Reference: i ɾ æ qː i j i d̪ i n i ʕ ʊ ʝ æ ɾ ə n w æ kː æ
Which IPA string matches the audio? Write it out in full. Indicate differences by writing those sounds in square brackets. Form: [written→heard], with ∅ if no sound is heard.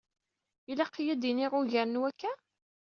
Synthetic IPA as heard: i [ɾ→l] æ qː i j [i→æ] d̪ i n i [ʕ→ʁ] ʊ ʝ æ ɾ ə n w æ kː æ